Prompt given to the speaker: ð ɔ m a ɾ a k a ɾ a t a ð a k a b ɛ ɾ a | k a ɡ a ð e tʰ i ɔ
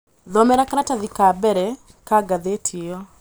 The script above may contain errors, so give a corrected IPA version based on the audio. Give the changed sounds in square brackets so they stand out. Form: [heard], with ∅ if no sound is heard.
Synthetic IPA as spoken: ð ɔ m [ɛ] ɾ a k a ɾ a t a ð [i] k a b ɛ ɾ [ɛ] | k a ɡ a ð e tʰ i ɔ